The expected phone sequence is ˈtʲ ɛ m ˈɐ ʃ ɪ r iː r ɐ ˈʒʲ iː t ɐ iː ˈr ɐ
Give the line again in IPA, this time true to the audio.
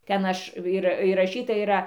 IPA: ˈtʲ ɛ n ˈɐ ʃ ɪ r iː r ɐ ˈʃʲ iː t ɐ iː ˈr ɐ